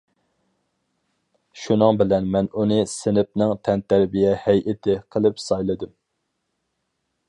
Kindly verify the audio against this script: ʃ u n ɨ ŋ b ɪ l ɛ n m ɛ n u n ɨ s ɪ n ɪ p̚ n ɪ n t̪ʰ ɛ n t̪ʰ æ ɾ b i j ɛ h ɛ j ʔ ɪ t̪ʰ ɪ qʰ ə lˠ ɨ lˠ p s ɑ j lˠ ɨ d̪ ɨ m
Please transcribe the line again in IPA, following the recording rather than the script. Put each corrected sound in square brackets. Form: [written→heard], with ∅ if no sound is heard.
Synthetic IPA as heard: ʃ u n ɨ ŋ b ɪ l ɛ n m ɛ n u n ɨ s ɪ n ɪ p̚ n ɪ [n→ŋ] t̪ʰ ɛ n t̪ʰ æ ɾ b i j ɛ h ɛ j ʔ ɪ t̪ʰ ɪ qʰ ə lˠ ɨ [lˠ→∅] p s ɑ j lˠ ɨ d̪ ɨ m

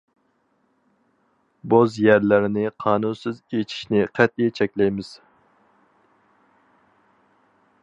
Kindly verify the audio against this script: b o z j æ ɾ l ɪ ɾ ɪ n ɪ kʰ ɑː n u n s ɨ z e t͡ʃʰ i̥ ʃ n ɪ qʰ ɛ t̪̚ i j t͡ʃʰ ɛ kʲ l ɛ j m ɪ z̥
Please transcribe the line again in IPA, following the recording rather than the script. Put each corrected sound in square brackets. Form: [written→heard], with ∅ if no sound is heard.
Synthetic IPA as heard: b o z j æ ɾ l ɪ ɾ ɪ n ɪ [kʰ→qʰ] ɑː n u n s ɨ z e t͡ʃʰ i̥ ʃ n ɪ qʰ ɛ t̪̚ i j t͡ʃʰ ɛ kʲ l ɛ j m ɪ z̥

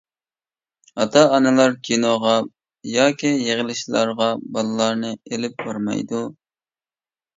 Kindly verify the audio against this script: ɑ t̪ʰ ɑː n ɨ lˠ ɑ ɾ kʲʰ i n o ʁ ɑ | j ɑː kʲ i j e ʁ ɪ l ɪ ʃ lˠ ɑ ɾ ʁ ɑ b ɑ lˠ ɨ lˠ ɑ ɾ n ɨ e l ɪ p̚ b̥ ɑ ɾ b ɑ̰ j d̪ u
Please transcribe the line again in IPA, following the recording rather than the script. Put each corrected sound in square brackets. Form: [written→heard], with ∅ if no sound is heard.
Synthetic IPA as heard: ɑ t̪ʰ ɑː n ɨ lˠ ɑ ɾ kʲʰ i n o ʁ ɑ | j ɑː kʲ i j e ʁ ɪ l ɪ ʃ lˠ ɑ ɾ ʁ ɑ b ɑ lˠ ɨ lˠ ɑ ɾ n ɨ e l ɪ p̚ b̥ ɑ ɾ [b→m] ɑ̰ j d̪ u

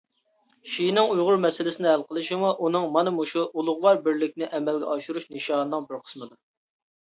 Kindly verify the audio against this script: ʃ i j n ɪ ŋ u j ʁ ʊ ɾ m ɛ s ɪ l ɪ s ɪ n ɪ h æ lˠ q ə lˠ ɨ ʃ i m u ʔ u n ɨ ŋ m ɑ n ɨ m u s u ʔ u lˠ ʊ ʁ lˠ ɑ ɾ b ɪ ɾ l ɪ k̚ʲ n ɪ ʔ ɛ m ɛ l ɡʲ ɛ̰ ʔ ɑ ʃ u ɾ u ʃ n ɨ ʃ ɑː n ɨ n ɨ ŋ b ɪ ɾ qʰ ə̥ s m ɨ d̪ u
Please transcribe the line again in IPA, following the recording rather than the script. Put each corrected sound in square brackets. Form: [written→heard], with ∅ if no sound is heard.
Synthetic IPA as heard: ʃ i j n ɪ ŋ u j ʁ ʊ ɾ m ɛ s ɪ l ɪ s ɪ n ɪ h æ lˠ q ə lˠ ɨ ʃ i m u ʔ u n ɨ ŋ m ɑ n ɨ m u [s→ʃ] u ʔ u lˠ ʊ ʁ lˠ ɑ ɾ b ɪ ɾ l ɪ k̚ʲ n ɪ ʔ ɛ m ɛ l ɡʲ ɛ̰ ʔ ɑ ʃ u ɾ u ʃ n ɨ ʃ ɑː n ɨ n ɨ ŋ b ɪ ɾ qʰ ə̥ s m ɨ d̪ u

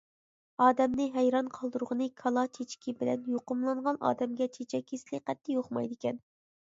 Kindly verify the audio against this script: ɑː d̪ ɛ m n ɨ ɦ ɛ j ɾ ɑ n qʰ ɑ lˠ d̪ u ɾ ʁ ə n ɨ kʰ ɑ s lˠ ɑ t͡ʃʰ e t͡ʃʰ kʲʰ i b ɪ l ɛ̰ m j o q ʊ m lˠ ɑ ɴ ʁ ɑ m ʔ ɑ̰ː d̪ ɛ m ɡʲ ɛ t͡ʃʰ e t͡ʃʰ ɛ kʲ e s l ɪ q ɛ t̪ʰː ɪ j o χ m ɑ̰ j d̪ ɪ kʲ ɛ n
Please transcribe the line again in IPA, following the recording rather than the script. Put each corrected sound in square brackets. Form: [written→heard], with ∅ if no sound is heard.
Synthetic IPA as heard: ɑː d̪ ɛ m n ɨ ɦ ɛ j ɾ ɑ n qʰ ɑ lˠ d̪ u ɾ ʁ ə n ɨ kʰ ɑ [s→∅] lˠ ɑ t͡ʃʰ e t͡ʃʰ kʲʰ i b ɪ l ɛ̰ [m→n] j o q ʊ m lˠ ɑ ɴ ʁ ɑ [m→n] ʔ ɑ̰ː d̪ ɛ m ɡʲ ɛ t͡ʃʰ e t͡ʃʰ ɛ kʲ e s l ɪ q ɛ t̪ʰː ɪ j o χ m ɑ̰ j d̪ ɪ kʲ ɛ n

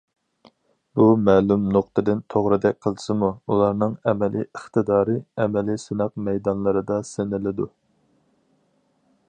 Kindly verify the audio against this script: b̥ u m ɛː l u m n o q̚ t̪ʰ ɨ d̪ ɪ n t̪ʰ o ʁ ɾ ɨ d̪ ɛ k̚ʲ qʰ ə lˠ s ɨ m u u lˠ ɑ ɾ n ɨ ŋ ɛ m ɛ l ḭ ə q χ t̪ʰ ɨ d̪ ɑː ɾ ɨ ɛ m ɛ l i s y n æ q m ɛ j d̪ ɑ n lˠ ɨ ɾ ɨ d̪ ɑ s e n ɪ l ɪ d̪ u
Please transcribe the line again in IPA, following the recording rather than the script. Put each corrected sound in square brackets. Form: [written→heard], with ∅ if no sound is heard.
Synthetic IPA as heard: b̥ u m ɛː l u m n o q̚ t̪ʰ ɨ d̪ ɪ n t̪ʰ o ʁ ɾ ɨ d̪ ɛ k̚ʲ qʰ ə lˠ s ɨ m u u lˠ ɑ ɾ n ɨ ŋ ɛ m ɛ l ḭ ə [q→∅] χ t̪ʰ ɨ d̪ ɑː ɾ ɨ ɛ m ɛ l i s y n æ q m ɛ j d̪ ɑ n lˠ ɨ ɾ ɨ d̪ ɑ s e n ɪ l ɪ d̪ u

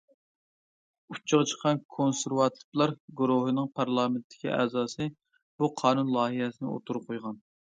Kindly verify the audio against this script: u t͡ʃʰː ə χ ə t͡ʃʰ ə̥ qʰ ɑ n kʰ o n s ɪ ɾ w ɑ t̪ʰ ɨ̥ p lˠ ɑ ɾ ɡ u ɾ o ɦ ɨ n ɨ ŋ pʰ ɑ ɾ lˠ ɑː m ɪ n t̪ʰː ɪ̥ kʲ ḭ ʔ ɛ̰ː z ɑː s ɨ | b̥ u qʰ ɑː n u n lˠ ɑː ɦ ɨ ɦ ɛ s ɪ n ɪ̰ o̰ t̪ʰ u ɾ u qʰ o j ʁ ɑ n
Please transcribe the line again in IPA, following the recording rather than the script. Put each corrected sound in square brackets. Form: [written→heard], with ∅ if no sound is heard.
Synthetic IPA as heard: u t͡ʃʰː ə [χ→ʁ] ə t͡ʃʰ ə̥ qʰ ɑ n kʰ o n s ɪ ɾ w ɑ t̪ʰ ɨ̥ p lˠ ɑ ɾ ɡ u ɾ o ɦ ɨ n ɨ ŋ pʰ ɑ ɾ lˠ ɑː m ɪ n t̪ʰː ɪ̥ kʲ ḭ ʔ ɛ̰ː z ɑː s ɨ | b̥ u qʰ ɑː n u n lˠ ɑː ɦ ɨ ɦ ɛ s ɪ n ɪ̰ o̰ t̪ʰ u ɾ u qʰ o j ʁ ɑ n

